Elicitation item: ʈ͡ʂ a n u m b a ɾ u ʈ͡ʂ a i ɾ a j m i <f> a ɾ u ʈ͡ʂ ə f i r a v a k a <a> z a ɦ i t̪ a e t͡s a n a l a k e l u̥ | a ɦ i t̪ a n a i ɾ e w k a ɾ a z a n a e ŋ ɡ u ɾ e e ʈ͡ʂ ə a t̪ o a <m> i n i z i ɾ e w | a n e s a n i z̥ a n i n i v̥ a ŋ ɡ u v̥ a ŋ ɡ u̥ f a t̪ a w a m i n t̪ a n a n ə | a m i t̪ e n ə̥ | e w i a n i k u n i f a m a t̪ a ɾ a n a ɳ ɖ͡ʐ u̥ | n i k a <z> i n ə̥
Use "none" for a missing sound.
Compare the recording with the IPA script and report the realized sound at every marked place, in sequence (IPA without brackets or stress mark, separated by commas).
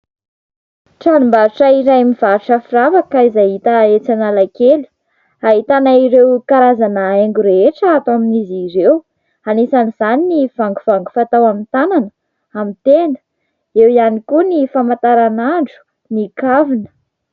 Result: v, i, m, v